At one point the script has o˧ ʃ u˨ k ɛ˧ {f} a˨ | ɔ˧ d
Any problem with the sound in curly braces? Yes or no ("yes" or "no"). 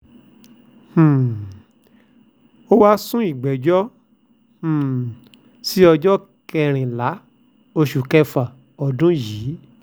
no